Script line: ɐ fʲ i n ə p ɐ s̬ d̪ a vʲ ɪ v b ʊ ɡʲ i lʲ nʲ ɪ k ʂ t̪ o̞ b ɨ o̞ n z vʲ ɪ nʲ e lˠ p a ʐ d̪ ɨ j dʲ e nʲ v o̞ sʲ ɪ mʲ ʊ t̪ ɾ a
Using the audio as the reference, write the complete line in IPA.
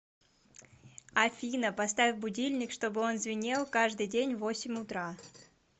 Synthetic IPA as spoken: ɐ fʲ i n ə p ɐ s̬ t̪ a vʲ ɪ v b ʊ dʲ i lʲ nʲ ɪ k ʂ t̪ o̞ b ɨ o̞ n z vʲ ɪ nʲ e lˠ k a ʐ d̪ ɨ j dʲ e nʲ v o̞ sʲ ɪ mʲ ʊ t̪ ɾ a